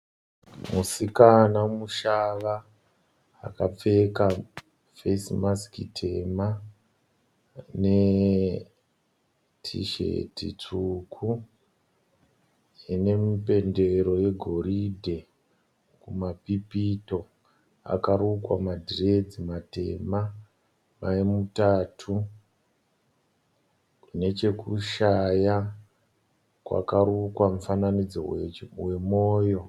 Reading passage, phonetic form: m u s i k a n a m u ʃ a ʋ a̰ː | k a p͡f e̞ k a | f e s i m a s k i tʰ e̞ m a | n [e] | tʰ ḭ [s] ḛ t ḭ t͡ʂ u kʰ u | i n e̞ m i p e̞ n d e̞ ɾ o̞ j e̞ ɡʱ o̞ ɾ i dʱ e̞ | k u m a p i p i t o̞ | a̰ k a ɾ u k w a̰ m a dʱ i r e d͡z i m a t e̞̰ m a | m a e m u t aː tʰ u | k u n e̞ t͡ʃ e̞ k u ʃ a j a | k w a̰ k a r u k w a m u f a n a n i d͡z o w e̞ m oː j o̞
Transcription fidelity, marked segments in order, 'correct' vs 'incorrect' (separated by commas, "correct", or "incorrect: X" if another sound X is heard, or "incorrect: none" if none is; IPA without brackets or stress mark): correct, incorrect: ʃ